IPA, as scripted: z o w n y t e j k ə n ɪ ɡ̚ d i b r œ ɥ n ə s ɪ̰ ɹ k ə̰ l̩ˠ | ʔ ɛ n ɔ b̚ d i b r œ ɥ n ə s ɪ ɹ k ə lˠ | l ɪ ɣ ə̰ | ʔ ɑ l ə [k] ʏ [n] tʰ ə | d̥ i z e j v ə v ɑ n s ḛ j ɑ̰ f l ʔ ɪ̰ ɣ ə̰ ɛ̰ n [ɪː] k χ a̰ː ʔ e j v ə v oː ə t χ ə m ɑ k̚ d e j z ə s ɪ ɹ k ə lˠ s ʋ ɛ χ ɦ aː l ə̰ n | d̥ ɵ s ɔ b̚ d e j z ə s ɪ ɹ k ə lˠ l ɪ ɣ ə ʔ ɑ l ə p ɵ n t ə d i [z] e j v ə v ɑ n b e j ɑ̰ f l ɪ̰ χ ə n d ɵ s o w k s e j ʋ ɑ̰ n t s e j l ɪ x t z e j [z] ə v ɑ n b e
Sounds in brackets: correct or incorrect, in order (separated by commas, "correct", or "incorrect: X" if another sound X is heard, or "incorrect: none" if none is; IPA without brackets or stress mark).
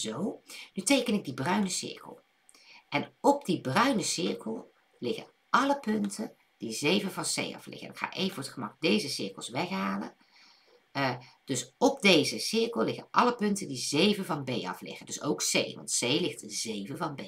incorrect: p, correct, incorrect: ɪ, correct, incorrect: v